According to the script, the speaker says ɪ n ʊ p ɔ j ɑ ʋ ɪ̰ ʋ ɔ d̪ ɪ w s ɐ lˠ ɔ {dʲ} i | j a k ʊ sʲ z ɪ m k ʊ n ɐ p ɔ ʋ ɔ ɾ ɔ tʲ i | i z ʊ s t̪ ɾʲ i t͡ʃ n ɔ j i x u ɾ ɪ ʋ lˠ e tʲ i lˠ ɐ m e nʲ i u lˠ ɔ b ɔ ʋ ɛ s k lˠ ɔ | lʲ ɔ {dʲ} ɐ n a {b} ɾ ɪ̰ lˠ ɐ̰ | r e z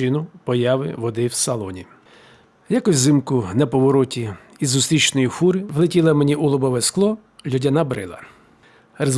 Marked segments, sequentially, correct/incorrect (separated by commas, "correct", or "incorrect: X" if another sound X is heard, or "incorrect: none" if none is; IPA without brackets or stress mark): incorrect: nʲ, correct, correct